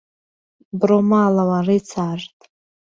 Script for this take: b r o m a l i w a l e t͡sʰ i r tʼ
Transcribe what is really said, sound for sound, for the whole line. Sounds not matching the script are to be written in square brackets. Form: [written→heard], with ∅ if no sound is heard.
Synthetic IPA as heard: b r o m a l [i→a] w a [l→r] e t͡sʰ [i→a] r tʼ